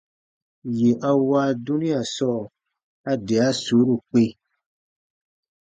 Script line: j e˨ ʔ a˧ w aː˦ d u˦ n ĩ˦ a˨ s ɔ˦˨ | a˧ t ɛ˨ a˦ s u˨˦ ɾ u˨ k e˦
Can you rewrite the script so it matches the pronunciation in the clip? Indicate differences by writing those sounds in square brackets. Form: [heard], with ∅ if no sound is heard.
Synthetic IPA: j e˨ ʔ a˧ w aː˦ d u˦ n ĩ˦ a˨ s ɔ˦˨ | a˧ [d] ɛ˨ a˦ s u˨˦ ɾ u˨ [k͡p] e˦